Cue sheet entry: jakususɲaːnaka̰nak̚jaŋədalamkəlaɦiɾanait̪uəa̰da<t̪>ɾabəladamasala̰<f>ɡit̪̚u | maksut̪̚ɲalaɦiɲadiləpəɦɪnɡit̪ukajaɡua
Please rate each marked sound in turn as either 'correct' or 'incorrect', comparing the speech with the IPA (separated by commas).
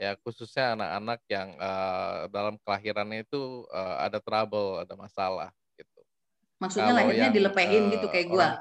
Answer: correct, incorrect